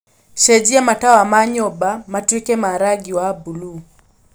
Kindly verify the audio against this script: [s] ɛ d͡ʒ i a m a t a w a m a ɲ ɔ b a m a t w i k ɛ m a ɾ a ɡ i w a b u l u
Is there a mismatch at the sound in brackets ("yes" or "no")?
yes